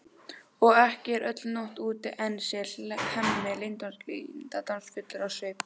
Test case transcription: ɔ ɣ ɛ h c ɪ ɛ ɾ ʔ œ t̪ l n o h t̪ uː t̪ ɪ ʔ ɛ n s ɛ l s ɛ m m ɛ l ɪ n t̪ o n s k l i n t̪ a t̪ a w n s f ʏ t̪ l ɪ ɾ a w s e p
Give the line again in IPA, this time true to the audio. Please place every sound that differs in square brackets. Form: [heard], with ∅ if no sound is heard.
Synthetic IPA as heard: ɔ ɣ ɛ h c ɪ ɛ ɾ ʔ œ t̪ l n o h t̪ uː t̪ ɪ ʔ ɛ n s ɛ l [h] ɛ m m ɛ l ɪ n t̪ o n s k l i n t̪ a t̪ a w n s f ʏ t̪ l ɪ ɾ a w s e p